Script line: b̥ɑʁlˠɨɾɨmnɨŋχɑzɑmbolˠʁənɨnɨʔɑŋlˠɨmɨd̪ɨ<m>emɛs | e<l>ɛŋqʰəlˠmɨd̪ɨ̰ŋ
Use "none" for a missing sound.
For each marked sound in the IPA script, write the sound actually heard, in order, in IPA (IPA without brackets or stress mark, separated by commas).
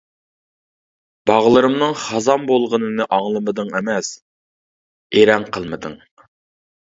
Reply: ŋ, ɾ